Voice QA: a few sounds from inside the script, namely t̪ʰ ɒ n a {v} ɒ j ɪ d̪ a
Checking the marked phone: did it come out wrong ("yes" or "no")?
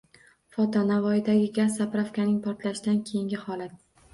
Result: no